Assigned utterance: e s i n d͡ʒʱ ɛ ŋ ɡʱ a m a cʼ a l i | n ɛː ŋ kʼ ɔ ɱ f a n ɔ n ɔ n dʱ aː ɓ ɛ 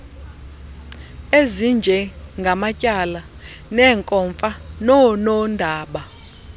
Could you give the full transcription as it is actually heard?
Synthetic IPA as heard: e z i n d͡ʒʱ ɛ ŋ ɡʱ a m a cʼ a l a | n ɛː ŋ kʼ ɔ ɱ f a n ɔ n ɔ n dʱ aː ɓ a